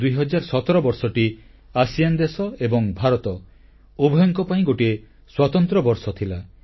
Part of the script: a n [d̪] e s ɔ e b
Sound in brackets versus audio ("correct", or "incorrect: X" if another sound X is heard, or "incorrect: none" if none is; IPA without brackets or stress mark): correct